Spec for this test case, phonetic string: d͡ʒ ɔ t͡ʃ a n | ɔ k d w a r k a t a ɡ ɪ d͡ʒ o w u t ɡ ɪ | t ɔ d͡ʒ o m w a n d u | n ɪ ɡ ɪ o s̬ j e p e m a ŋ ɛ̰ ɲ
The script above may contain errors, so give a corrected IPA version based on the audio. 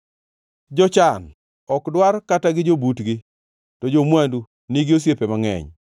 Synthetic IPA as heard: d͡ʒ ɔ t͡ʃ a n | ɔ k d w a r k a t a ɡ ɪ d͡ʒ o b u t ɡ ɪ | t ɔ d͡ʒ o m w a n d u | n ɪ ɡ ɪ o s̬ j e p e m a ŋ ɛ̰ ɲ